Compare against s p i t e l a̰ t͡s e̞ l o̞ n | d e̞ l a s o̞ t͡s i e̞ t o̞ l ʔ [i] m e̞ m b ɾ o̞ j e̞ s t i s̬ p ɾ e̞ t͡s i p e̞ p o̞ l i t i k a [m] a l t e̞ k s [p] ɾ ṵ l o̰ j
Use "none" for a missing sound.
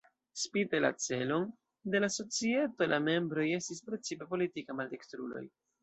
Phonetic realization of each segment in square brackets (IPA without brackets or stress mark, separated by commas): a, m, t